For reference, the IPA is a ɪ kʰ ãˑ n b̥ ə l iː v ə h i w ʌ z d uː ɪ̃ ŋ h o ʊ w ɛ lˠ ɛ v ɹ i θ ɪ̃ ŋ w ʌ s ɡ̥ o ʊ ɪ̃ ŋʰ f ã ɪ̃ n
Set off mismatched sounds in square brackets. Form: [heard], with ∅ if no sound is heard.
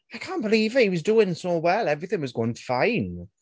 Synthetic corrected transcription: a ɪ kʰ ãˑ n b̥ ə l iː v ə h i w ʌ z d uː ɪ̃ ŋ [s] o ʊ w ɛ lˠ ɛ v ɹ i θ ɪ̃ ŋ w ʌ [z] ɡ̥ o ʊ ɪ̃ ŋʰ f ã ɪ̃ n